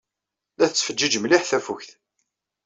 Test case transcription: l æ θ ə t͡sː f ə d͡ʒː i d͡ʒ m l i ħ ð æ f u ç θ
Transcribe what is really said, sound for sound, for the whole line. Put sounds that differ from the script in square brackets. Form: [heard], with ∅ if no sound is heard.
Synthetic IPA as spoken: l æ θ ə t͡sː f ə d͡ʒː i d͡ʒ m l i ħ [θ] æ f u ç θ